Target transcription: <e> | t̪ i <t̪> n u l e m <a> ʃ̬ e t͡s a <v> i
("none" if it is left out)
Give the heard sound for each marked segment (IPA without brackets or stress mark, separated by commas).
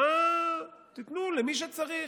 a, t̪, i, ʁ